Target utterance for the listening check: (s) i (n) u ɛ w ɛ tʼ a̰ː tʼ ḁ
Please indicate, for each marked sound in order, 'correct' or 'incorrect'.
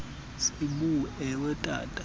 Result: correct, incorrect: m

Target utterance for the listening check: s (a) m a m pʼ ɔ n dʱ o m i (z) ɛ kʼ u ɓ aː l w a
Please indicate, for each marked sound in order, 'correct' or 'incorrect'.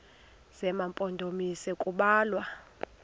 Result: incorrect: ɛ, incorrect: s

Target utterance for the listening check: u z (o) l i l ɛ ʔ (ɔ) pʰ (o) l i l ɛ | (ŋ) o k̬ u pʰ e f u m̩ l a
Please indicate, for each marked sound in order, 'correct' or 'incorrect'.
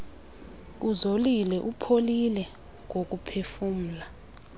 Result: correct, incorrect: u, correct, correct

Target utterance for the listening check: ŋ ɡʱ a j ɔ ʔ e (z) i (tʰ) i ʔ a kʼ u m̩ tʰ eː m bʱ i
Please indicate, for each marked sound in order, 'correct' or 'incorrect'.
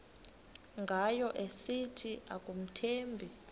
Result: incorrect: s, correct

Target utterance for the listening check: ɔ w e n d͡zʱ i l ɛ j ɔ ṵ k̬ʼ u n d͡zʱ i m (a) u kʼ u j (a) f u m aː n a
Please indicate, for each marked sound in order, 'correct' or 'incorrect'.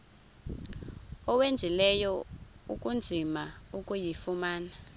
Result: correct, incorrect: i

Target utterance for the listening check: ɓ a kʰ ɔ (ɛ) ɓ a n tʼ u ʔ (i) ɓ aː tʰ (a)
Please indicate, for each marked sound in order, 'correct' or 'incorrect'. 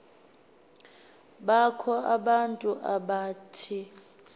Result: incorrect: a, incorrect: a, incorrect: i

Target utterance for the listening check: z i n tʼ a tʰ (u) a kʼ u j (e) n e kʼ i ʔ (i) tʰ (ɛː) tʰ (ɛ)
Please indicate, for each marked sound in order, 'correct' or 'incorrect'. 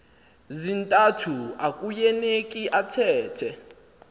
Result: correct, incorrect: ɛ, incorrect: a, correct, correct

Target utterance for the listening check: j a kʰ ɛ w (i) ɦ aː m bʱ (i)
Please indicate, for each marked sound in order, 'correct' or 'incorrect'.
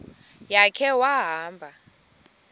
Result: incorrect: a, incorrect: a

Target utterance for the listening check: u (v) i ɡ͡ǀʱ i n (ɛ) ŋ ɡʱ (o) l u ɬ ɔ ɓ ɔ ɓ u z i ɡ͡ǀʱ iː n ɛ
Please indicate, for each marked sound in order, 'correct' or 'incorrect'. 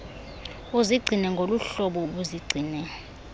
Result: incorrect: z, correct, correct

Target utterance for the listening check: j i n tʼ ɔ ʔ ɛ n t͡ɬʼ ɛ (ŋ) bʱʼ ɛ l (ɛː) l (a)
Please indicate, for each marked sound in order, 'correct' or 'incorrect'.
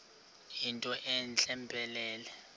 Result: incorrect: m, correct, incorrect: ɛ

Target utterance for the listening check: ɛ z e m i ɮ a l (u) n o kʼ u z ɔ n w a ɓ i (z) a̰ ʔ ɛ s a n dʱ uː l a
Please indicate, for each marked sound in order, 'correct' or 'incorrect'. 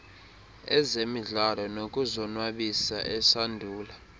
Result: incorrect: ɔ, incorrect: s

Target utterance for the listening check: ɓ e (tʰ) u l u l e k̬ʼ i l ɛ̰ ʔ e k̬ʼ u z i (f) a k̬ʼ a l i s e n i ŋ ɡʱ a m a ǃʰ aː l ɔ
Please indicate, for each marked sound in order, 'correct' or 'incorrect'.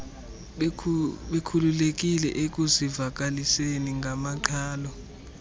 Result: incorrect: kʰ, incorrect: v

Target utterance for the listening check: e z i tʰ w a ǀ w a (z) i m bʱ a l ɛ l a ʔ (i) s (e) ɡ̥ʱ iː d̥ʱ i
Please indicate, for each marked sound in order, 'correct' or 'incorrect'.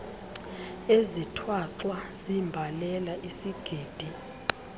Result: correct, correct, incorrect: i

